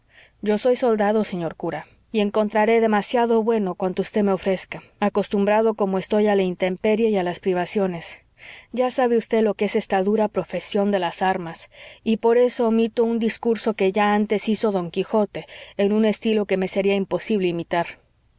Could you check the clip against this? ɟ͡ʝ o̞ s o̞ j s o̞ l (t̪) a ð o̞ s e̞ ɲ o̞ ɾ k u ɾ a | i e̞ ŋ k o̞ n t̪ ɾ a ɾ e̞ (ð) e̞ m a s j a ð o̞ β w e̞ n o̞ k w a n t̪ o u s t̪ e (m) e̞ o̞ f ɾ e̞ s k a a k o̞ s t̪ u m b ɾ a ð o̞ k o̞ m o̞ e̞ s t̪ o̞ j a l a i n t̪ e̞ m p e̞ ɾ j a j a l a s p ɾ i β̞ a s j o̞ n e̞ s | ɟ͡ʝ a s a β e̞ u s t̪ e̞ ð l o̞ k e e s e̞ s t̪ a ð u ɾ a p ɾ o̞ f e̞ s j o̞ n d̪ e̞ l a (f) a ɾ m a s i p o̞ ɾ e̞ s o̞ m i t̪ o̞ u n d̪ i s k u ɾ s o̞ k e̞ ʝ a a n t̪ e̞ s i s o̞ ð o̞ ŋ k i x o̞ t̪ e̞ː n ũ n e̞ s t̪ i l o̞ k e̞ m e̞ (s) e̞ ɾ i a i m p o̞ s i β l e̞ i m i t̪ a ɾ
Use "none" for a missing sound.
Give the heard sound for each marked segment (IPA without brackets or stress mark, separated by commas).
d̪, ð, m, s, s